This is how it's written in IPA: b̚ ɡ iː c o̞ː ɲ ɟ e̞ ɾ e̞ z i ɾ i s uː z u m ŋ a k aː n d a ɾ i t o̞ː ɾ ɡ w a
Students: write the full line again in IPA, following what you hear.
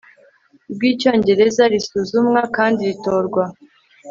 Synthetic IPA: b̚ ɡ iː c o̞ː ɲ ɟ e̞ ɾ e̞ z a ɾ i s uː z u m ŋ a k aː n d i ɾ i t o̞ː ɾ ɡ w a